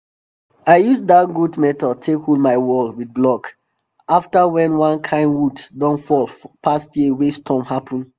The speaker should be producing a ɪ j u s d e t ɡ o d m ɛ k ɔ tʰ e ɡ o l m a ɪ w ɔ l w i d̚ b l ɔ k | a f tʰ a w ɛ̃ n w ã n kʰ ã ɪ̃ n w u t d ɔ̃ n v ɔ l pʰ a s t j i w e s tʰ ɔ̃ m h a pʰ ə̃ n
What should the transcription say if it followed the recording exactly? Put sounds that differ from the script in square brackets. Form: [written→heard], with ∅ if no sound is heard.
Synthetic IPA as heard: a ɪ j u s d [e→a] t ɡ [o→u] d m ɛ [k→t] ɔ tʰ e [ɡ→k] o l m a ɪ w ɔ l w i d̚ b l ɔ k | a f [tʰ→t] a w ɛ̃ n w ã n kʰ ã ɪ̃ n w u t d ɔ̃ n [v→f] ɔ l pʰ a s t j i w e s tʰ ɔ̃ m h a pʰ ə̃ n